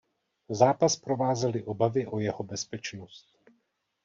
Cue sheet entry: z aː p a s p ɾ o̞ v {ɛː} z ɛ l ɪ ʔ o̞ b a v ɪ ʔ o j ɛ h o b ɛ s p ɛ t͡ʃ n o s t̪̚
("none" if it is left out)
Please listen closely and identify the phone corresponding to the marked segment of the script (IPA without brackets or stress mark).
aː